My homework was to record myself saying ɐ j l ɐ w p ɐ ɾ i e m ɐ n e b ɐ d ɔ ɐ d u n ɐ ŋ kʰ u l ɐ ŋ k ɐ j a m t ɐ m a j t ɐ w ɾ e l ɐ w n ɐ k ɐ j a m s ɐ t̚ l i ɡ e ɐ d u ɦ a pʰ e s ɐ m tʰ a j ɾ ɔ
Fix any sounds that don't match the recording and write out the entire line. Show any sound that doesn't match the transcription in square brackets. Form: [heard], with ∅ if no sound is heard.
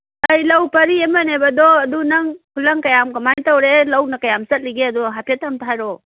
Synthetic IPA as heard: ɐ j l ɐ w p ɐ ɾ i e m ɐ n e b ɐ d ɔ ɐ d u n ɐ ŋ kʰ u l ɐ ŋ k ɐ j a m [k] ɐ m a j t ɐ w ɾ e l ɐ w n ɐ k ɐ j a m s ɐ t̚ l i ɡ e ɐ d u ɦ a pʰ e [t] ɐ m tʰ a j ɾ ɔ